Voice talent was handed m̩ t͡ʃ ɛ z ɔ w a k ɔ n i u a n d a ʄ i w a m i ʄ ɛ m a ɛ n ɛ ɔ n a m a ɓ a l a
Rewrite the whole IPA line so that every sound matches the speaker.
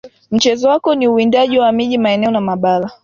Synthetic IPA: m̩ t͡ʃ ɛ z ɔ w a k ɔ n i u i n d a ʄ i w a m i ʄ i m a ɛ n ɛ ɔ n a m a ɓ a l a